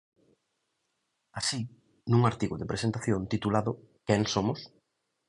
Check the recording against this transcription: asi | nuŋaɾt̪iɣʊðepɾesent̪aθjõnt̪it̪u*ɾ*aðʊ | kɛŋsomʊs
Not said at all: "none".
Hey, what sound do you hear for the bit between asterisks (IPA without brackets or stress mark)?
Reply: l